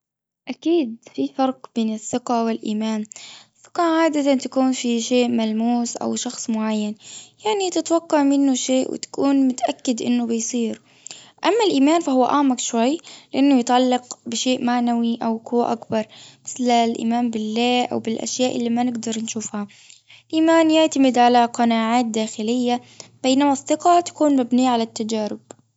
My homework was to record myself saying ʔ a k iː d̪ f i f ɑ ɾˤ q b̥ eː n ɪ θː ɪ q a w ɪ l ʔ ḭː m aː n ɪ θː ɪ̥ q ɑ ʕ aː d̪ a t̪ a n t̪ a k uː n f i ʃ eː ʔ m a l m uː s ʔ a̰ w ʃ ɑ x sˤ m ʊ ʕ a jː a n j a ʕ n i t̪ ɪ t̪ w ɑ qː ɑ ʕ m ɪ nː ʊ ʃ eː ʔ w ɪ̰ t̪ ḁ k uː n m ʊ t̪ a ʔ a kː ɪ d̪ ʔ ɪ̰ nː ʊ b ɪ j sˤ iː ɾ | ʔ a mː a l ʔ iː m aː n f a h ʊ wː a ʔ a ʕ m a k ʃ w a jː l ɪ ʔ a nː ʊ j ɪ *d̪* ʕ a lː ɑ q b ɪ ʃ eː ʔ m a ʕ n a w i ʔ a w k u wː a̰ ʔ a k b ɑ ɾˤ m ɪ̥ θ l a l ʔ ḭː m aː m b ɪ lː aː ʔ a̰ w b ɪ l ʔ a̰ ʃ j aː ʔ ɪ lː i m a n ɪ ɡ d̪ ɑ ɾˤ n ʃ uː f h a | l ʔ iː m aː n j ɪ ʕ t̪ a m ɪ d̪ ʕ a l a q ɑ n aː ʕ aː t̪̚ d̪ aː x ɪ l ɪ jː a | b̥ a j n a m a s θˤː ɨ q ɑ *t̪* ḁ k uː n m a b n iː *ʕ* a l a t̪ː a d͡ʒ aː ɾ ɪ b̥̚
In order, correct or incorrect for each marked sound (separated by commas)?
incorrect, correct, correct